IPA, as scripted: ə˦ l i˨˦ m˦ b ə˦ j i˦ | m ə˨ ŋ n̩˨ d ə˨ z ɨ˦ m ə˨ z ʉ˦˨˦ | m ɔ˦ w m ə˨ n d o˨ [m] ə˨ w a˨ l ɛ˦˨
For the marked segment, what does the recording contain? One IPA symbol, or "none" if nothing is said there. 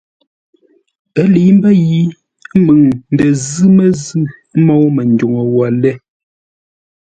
ŋ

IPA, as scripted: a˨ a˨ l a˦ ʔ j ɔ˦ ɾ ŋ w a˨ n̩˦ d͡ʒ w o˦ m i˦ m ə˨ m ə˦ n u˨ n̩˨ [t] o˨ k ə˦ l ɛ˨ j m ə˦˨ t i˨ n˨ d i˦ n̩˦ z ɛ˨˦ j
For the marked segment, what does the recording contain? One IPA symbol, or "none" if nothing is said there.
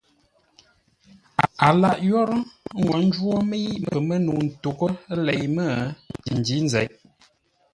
t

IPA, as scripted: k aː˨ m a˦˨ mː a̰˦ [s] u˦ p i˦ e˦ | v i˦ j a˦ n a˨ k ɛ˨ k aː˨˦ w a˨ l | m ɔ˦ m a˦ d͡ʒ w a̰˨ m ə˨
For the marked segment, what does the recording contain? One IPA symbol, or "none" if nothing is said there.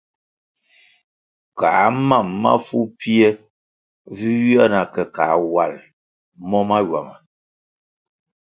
f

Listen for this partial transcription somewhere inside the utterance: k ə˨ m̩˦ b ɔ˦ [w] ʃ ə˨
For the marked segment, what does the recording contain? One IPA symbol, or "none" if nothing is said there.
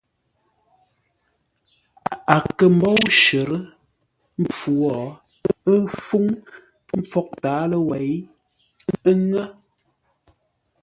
w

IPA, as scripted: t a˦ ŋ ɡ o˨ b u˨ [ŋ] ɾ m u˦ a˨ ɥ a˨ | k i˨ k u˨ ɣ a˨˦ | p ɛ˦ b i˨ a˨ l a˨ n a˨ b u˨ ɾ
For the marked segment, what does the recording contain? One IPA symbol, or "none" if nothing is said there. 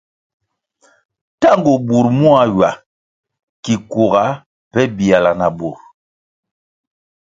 none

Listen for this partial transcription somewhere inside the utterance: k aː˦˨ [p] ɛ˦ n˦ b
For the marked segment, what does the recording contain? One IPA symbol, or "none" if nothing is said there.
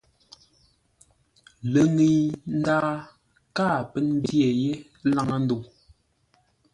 p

